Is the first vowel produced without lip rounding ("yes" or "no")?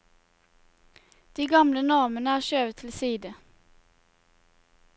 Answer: yes